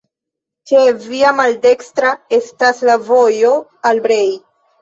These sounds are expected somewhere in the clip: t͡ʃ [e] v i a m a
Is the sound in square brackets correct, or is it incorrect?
correct